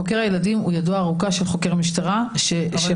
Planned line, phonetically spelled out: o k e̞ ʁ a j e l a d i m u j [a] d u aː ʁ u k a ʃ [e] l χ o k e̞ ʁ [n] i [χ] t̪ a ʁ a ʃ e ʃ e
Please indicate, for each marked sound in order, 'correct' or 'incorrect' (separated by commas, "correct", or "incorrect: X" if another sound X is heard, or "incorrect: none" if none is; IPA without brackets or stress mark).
correct, correct, incorrect: m, incorrect: ʃ